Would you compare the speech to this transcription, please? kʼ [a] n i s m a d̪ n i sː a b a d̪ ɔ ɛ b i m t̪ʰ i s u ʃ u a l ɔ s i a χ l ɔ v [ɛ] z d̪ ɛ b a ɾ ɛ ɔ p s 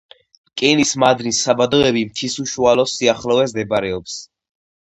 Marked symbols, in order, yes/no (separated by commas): no, yes